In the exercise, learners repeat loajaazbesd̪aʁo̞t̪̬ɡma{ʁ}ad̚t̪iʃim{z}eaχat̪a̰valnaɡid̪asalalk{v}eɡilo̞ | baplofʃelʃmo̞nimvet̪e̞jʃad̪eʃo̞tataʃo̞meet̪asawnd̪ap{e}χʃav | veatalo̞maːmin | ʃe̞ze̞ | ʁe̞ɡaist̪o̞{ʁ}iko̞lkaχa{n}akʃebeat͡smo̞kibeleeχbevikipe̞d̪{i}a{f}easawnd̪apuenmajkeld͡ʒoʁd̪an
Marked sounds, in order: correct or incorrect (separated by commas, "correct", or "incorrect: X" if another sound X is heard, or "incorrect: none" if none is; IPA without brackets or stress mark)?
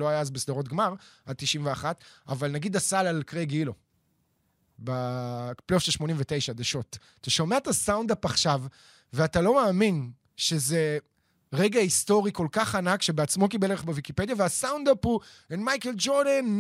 correct, incorrect: v, incorrect: ʁ, incorrect: a, correct, correct, incorrect: j, incorrect: v